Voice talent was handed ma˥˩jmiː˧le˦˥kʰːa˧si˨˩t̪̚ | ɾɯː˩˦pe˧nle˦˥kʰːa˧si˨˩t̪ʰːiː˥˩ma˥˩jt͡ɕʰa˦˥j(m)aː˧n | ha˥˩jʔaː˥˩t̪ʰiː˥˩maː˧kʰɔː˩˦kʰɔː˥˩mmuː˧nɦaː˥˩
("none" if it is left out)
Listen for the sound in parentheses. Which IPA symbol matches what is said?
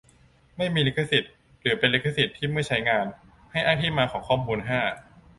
ŋ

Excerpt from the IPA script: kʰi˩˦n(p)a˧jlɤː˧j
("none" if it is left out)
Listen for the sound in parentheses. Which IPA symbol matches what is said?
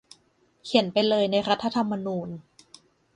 p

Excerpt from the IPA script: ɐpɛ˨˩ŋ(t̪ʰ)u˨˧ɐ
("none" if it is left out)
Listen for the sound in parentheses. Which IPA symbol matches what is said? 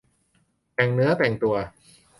t̪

